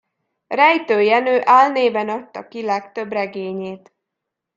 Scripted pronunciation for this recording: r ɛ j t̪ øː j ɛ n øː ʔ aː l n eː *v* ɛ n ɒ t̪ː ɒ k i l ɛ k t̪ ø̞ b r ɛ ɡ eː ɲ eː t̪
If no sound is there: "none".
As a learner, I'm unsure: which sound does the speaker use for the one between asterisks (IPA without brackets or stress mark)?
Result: b